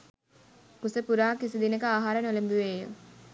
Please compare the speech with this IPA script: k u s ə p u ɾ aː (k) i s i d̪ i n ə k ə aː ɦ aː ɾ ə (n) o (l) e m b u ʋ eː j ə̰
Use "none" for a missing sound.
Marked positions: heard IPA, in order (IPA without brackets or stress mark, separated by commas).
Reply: k, n, l